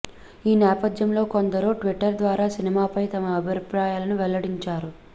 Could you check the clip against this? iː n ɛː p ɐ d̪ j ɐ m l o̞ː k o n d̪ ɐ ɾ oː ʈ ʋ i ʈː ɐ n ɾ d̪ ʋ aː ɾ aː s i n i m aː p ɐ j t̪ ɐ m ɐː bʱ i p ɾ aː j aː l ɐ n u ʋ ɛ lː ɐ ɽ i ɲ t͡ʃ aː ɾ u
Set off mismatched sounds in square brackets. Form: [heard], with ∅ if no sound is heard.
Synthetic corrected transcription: iː n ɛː p ɐ d̪ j ɐ m l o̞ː k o n d̪ ɐ ɾ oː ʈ ʋ i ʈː ɐ [∅] ɾ d̪ ʋ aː ɾ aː s i n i m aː p ɐ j t̪ ɐ m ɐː bʱ i p ɾ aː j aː l ɐ n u ʋ ɛ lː ɐ ɽ i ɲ t͡ʃ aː ɾ u